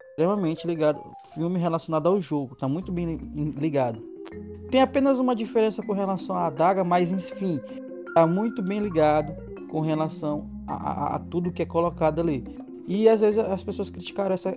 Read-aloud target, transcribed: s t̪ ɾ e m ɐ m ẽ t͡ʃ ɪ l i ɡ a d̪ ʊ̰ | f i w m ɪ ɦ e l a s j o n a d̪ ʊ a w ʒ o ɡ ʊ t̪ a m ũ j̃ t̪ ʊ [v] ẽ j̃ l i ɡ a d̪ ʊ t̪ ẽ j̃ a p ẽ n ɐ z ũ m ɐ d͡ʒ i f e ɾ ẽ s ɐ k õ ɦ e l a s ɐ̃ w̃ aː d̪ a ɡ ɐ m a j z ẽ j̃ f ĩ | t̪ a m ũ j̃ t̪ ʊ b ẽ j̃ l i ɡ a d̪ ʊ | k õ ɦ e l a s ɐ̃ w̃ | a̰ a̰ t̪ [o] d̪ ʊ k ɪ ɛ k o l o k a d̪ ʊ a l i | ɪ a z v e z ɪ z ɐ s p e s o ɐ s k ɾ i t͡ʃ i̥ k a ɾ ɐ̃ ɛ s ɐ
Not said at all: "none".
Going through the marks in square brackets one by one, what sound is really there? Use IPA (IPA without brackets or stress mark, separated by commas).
b, u